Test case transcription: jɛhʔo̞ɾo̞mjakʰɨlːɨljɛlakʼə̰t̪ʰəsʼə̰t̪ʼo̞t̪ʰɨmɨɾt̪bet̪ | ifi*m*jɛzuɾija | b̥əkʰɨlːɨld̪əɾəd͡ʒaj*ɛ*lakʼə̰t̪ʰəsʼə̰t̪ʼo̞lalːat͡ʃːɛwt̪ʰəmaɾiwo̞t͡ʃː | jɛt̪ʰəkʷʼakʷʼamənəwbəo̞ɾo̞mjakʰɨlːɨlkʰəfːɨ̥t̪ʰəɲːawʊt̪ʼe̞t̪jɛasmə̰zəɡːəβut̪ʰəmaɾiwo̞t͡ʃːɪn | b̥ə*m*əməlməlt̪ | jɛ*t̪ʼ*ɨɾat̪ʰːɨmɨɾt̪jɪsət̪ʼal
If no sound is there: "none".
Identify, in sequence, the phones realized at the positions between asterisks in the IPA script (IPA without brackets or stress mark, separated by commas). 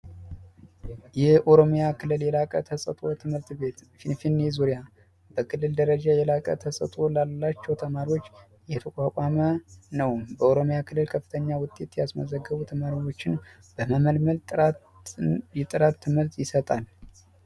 n, ɛ, m, t̪ʼ